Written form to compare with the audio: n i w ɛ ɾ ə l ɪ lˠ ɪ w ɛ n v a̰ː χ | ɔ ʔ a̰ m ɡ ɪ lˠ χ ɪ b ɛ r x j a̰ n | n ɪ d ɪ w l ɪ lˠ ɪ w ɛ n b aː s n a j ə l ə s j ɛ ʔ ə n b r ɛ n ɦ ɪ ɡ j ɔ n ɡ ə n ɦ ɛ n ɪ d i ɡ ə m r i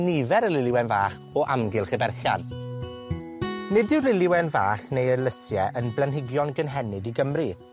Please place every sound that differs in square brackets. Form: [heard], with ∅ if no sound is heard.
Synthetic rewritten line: n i [v] ɛ ɾ ə l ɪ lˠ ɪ w ɛ n v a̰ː χ | ɔ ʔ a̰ m ɡ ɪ lˠ χ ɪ b ɛ r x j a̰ n | n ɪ d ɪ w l ɪ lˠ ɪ w ɛ n [v] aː [χ] n [e] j ə l ə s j ɛ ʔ ə n b [l] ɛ n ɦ ɪ ɡ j ɔ n ɡ ə n ɦ ɛ n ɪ d i ɡ ə m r i